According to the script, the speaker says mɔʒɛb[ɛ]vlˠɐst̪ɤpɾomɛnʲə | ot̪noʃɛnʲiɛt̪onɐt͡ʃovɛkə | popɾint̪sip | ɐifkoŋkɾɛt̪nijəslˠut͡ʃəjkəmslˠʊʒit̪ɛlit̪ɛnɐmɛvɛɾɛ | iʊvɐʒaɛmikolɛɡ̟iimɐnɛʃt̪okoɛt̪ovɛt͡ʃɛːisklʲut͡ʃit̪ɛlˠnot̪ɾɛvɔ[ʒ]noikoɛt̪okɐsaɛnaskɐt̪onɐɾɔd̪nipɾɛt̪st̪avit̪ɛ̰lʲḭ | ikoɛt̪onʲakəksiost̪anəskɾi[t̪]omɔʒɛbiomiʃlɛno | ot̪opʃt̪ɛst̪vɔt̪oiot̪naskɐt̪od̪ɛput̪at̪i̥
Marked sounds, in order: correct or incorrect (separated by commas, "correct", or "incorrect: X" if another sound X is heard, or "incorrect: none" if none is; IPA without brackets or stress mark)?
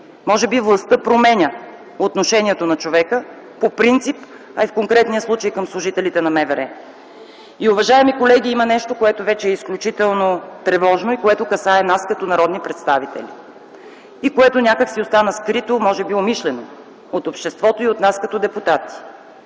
incorrect: i, correct, correct